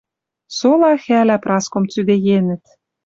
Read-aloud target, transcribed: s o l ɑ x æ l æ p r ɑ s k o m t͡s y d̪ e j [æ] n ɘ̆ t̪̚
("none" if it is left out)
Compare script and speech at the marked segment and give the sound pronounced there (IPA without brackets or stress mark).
e